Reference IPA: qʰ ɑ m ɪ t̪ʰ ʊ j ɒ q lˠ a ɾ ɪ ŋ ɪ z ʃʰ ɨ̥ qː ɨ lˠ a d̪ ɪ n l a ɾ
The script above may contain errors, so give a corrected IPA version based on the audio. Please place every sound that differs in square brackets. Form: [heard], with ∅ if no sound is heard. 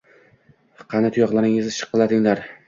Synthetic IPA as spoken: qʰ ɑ [n] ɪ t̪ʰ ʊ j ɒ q lˠ a ɾ ɪ ŋ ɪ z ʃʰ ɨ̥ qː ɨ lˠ a d̪ ɪ [ŋ] l a ɾ